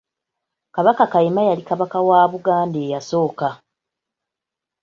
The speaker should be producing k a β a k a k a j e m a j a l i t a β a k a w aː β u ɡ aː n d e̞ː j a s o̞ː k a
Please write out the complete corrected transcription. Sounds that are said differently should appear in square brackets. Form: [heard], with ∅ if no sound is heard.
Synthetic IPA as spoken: k a β a k a k a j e m a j a l i [k] a β a k a w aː β u ɡ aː n d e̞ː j a s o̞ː k a